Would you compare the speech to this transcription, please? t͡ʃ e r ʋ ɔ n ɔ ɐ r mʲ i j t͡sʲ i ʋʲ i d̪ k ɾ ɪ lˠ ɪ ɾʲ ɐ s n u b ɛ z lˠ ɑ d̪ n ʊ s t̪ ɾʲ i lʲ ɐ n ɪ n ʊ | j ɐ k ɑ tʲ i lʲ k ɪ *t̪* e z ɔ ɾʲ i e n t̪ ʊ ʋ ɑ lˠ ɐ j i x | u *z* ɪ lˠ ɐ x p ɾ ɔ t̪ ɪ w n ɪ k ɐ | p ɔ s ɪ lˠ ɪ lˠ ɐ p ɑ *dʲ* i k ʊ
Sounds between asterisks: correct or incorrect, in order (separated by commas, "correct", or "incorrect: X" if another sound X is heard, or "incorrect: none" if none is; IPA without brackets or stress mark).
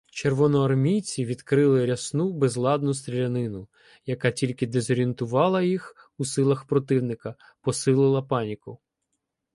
incorrect: d̪, incorrect: s, incorrect: nʲ